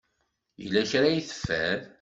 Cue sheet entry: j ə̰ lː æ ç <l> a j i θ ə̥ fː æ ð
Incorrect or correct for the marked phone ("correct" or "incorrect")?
incorrect